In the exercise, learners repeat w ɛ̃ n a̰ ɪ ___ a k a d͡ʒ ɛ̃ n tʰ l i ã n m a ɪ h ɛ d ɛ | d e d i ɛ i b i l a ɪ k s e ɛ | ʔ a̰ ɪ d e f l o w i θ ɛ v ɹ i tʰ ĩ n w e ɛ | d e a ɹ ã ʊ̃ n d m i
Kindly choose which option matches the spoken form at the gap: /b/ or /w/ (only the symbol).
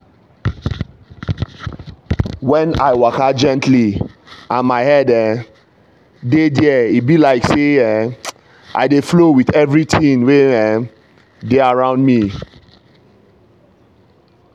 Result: w